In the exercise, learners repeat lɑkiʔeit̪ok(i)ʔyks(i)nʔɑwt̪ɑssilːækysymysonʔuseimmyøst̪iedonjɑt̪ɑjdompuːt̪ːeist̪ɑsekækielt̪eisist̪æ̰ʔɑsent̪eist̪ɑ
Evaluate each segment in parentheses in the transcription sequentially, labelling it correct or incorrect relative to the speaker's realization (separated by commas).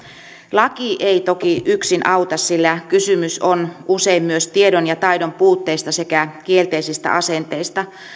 correct, correct